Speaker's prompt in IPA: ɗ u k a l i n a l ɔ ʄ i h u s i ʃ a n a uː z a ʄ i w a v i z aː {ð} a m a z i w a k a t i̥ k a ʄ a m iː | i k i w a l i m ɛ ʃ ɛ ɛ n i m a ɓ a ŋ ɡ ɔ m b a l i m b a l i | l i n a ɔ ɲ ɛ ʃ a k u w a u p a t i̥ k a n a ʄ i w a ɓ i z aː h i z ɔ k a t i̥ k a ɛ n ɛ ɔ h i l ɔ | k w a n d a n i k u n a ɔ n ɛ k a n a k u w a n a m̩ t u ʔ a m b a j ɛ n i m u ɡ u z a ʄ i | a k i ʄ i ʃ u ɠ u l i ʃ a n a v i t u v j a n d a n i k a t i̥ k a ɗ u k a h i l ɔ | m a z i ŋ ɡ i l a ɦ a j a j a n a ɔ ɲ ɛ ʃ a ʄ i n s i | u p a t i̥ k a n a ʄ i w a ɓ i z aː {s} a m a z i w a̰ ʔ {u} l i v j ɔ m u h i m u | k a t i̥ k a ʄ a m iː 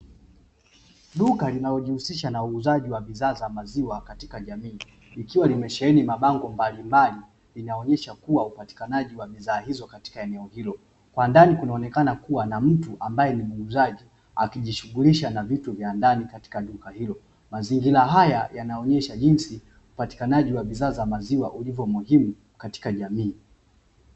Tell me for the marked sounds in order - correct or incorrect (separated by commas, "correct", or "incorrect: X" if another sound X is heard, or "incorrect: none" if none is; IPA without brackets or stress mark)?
incorrect: z, incorrect: z, correct